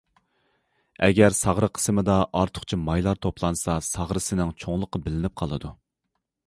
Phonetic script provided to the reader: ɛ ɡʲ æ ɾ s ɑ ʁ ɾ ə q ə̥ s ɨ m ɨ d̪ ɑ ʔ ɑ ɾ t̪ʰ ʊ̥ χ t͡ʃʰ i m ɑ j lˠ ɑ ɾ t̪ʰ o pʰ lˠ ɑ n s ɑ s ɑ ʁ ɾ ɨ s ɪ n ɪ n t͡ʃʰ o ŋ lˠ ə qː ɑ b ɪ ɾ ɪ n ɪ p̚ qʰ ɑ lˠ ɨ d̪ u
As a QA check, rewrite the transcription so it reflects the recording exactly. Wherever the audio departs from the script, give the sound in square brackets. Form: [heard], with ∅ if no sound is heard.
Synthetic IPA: ɛ ɡʲ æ ɾ s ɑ ʁ ɾ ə [qʰ] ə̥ s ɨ m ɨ d̪ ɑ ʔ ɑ ɾ t̪ʰ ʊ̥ χ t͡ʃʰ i m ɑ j lˠ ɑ ɾ t̪ʰ o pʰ lˠ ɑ n s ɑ s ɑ ʁ ɾ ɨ s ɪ n ɪ [ŋ] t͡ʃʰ o ŋ lˠ ə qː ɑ b ɪ [l] ɪ n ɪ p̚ qʰ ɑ lˠ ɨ d̪ u

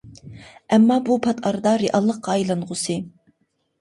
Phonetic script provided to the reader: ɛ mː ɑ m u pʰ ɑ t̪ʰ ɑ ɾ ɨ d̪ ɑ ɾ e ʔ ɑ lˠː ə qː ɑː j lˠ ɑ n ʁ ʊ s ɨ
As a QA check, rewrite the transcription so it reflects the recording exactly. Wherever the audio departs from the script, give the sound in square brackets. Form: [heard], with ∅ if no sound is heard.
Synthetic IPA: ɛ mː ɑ [b] u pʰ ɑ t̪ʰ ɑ ɾ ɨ d̪ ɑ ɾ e ʔ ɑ lˠː ə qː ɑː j lˠ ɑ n ʁ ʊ s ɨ

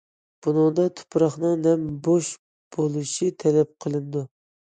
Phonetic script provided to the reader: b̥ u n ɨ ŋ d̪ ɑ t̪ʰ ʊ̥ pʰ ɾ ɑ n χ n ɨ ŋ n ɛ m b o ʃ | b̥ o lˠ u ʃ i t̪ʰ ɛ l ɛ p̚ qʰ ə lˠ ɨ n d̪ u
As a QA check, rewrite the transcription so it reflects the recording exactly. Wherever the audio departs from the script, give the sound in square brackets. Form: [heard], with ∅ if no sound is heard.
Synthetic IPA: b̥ u n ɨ ŋ d̪ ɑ t̪ʰ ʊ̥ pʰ ɾ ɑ [∅] χ n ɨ ŋ n ɛ m b o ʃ | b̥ o lˠ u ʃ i t̪ʰ ɛ l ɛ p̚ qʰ ə lˠ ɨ n d̪ u

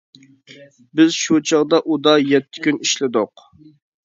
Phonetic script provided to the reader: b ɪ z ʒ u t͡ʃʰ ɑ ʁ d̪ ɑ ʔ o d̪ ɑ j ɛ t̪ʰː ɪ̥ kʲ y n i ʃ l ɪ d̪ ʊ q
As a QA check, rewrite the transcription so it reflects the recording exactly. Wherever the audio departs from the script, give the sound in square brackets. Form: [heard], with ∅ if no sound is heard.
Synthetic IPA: b ɪ z [ʃ] u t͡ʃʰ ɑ ʁ d̪ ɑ ʔ [u] d̪ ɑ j ɛ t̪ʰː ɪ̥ kʲ y n i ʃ l ɪ d̪ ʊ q

